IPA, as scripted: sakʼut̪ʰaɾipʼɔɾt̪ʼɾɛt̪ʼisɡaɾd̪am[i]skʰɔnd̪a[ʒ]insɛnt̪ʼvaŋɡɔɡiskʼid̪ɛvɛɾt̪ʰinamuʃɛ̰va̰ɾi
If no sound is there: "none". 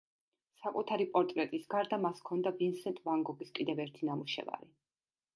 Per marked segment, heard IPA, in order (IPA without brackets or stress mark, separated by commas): a, v